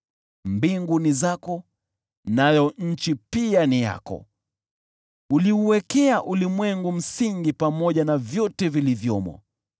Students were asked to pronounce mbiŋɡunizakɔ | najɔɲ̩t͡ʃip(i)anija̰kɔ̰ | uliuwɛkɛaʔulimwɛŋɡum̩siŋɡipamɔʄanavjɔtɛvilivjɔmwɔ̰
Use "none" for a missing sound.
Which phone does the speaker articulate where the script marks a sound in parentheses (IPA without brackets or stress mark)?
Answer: i